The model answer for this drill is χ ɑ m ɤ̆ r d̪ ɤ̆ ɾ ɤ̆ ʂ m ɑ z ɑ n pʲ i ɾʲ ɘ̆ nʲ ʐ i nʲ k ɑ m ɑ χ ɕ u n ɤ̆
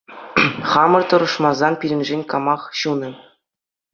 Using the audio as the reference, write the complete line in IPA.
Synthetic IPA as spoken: χ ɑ m ɤ̆ r t̪ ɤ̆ ɾ ɤ̆ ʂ m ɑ z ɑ n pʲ i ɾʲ ɘ̆ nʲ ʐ e nʲ k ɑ m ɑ χ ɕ u n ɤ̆